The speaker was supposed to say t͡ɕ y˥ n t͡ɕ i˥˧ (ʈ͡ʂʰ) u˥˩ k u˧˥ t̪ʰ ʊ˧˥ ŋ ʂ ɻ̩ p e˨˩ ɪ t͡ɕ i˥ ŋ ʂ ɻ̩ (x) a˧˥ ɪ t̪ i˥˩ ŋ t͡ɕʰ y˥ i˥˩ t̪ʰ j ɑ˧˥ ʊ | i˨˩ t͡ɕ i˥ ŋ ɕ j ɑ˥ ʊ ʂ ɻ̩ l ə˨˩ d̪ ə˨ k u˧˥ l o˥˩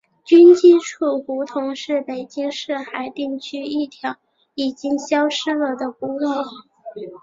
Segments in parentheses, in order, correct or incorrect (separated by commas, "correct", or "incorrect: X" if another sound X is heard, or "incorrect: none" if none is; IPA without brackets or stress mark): correct, correct